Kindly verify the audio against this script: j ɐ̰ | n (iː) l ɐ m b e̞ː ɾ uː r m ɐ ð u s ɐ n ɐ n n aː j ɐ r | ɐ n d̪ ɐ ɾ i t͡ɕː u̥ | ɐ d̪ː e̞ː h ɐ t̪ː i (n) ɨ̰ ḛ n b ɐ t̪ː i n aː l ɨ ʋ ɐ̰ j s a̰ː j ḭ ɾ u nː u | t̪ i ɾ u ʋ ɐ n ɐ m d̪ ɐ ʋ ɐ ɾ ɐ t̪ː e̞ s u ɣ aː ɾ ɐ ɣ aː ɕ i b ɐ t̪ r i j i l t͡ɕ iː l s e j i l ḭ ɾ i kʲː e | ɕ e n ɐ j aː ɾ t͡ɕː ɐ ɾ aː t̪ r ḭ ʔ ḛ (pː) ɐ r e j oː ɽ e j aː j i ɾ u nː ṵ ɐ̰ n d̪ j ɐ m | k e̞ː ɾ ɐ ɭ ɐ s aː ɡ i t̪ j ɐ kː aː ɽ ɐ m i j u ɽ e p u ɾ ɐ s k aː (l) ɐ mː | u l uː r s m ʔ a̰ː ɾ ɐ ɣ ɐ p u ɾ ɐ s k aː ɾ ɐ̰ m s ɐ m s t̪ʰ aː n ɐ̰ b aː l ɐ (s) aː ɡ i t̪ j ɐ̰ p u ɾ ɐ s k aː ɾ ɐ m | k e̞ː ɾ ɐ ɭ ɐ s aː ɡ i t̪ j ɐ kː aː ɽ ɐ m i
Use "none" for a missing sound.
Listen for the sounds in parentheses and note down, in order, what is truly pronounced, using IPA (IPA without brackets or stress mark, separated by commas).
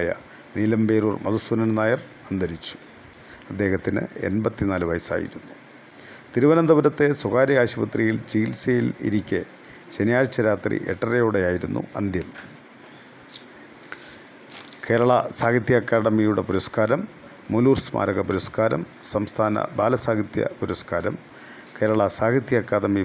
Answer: iː, n, ʈː, ɾ, s